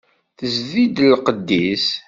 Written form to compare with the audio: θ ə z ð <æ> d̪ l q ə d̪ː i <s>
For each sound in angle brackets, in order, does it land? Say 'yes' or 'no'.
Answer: no, yes

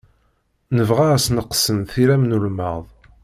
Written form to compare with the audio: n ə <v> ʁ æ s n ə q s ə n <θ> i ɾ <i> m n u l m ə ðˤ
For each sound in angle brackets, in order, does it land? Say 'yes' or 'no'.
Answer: yes, yes, no

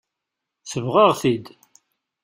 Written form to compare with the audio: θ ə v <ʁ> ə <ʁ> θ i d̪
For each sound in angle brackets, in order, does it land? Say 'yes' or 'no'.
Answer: yes, yes

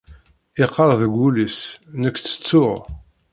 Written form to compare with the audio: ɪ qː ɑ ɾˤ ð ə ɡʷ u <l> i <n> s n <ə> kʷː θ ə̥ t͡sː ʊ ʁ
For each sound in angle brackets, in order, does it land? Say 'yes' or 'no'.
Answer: yes, no, yes

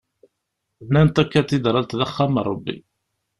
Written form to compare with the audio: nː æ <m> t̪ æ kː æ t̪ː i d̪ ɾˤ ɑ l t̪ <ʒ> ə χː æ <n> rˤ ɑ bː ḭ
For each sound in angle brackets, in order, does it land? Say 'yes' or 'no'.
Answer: no, no, no

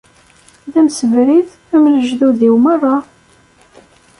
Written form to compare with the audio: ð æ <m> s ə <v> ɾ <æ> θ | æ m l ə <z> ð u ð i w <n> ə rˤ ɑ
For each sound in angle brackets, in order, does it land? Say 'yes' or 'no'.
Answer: yes, yes, no, no, no

